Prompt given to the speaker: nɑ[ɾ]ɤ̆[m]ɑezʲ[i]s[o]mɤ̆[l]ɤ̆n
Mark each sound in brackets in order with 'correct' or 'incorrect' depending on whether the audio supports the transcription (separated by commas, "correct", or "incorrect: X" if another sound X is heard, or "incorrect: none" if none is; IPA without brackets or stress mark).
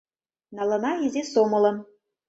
incorrect: l, incorrect: n, incorrect: e, correct, correct